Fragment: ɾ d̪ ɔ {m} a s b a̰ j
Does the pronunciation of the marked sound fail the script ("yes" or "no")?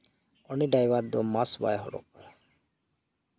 no